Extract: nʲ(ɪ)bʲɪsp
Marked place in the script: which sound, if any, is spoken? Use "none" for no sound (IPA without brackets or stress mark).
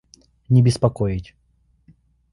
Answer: ɪ